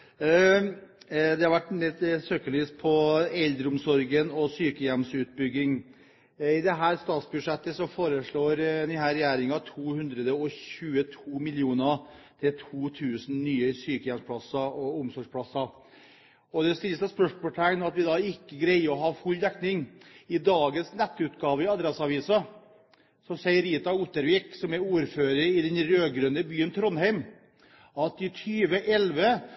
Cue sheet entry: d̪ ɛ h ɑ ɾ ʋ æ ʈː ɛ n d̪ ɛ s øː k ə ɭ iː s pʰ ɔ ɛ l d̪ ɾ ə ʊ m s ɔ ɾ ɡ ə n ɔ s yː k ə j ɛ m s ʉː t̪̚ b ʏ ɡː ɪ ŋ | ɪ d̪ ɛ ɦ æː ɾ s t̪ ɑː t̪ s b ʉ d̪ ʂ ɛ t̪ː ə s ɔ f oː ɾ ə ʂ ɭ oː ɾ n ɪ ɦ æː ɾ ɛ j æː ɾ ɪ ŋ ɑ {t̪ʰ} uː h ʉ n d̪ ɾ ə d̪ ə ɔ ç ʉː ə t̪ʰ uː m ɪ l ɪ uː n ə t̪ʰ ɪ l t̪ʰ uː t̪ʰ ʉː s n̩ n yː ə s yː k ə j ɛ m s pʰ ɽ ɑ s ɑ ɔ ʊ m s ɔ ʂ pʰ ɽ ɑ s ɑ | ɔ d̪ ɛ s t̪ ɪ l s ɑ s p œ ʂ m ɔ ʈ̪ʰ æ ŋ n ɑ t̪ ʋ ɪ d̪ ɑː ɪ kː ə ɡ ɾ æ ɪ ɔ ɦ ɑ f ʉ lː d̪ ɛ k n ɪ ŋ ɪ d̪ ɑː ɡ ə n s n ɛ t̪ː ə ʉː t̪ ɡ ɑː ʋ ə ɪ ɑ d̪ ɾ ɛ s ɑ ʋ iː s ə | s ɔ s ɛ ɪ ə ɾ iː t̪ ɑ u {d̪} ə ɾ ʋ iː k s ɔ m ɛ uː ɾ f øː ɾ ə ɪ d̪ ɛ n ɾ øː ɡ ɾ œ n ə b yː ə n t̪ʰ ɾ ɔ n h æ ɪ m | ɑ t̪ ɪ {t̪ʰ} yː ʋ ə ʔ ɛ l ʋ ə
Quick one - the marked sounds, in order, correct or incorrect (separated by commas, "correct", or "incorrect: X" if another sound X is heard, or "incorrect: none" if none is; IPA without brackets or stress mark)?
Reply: correct, incorrect: t̪, correct